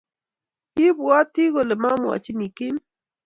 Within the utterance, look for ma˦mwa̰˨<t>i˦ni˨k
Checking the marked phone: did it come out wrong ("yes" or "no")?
yes